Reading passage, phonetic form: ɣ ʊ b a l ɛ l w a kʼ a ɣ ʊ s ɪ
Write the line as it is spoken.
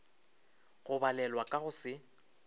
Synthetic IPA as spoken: ɣ ʊ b a l ɛ l w a kʼ a ɣ ʊ s ɪ

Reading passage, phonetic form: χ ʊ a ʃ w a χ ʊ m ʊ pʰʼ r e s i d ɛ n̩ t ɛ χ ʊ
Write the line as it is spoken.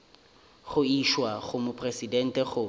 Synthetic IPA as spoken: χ ʊ i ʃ w a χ ʊ m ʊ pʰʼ r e s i d ɛ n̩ t ɛ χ ʊ

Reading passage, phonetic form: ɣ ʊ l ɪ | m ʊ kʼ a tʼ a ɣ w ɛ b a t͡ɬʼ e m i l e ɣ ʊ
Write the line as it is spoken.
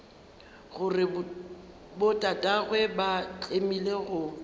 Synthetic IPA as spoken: ɣ ʊ r ɪ | b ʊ tʼ a tʼ a ɣ w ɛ b a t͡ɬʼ e m i l e ɣ ʊ

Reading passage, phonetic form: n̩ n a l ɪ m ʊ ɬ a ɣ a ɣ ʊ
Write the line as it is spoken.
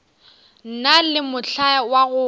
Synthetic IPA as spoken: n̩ n a l ɪ m ʊ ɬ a w a ɣ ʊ

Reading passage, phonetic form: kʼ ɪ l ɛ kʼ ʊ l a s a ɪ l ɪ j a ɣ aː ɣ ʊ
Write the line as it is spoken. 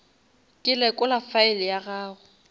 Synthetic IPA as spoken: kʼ ɪ l ɛ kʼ ʊ l a f a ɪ l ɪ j a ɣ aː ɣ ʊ

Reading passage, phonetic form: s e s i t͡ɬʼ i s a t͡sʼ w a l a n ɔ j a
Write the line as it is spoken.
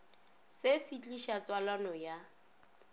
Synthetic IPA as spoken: s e s i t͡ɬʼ i ʃ a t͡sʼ w a l a n ɔ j a

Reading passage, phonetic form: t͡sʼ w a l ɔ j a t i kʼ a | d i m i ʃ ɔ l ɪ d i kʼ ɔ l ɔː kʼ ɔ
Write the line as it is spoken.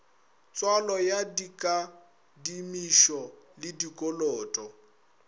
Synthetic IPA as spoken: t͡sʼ w a l ɔ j a d i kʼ a | d i m i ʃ ɔ l ɪ d i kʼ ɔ l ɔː tʼ ɔ

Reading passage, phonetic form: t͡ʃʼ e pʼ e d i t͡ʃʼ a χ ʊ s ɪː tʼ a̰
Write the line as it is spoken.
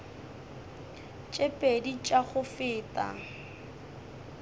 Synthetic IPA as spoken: t͡ʃʼ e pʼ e d i t͡ʃʼ a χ ʊ f ɪː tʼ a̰

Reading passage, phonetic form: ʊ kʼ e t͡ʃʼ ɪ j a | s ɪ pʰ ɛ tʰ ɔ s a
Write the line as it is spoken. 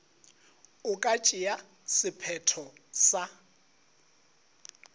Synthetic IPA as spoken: ʊ kʼ a t͡ʃʼ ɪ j a | s ɪ pʰ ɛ tʰ ɔ s a

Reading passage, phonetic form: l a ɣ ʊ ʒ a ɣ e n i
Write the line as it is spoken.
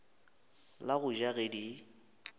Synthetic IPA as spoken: l a ɣ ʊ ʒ a ɣ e d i

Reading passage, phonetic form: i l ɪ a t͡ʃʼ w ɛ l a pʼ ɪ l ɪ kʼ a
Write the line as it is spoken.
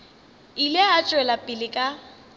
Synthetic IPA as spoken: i l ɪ a t͡ʃʼ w ɛ l a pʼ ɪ l ɪ kʼ a

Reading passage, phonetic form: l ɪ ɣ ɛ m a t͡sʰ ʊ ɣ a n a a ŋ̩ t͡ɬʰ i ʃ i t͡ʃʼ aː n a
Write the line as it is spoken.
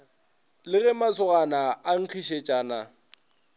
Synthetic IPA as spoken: l ɪ ɣ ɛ m a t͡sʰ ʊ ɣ a n a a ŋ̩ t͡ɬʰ i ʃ e t͡ʃʼ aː n a

